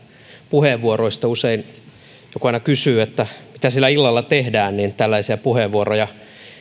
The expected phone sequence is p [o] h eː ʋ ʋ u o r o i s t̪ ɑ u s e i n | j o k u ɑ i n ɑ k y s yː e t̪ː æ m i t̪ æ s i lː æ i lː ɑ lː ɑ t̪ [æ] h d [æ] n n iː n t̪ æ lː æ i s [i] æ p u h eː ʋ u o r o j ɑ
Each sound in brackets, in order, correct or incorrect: incorrect: u, incorrect: e, incorrect: æː, correct

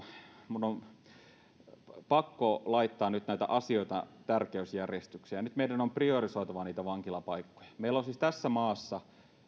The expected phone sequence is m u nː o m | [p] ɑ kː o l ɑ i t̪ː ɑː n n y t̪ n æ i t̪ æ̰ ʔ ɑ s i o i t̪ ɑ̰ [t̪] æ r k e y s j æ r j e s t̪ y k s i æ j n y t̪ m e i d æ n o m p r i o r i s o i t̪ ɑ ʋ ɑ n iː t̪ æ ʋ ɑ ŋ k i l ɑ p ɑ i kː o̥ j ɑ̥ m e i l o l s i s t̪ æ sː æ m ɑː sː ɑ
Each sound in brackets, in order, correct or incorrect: correct, correct

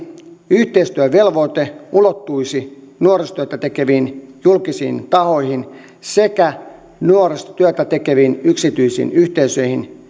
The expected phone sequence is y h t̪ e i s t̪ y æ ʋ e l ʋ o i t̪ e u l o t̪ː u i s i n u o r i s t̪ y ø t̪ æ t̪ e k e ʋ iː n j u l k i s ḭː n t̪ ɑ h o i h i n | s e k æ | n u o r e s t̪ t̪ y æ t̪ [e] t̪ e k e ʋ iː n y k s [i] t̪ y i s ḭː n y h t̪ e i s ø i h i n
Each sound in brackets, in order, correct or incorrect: incorrect: æ, correct

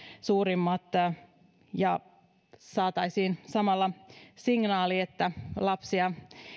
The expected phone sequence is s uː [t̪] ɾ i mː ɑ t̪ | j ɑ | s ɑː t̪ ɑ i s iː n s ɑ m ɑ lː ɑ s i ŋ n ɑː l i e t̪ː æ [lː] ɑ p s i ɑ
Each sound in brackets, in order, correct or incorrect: incorrect: none, incorrect: l

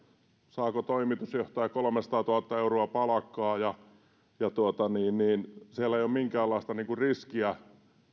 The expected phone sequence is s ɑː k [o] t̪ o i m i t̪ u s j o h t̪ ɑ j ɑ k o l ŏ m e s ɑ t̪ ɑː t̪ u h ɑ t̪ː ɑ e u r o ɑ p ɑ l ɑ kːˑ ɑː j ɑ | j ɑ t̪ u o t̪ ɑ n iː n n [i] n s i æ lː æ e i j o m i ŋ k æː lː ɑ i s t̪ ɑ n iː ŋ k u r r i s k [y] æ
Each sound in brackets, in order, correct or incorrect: correct, incorrect: iː, incorrect: i

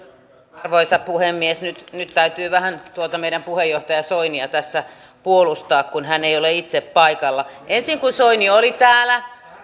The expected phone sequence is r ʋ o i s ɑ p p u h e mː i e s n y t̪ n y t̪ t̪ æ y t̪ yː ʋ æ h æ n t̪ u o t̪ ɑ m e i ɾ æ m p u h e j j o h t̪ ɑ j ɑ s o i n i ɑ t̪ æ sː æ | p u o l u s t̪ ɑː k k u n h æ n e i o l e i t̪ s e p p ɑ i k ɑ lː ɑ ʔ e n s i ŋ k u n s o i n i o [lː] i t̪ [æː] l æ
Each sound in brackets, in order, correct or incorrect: incorrect: l, correct

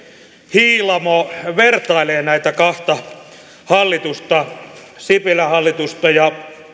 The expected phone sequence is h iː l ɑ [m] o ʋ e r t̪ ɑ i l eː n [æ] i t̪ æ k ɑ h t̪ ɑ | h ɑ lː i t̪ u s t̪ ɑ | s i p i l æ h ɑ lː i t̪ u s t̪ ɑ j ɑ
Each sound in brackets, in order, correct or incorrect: correct, correct

